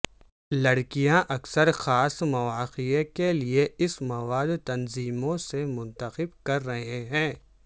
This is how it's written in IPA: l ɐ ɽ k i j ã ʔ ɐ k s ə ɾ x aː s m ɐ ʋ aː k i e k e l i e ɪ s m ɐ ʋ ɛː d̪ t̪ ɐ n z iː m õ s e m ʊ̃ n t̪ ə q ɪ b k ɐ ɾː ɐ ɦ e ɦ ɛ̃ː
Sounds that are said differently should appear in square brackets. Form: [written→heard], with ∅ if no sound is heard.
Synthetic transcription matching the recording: l ɐ ɽ k i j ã ʔ ɐ k s ə ɾ x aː s m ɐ ʋ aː [k→q] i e k e l i e ɪ s m ɐ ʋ [ɛː→aː] d̪ t̪ ɐ n z iː m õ s e m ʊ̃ n t̪ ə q ɪ b k ɐ ɾː ɐ ɦ e ɦ ɛ̃ː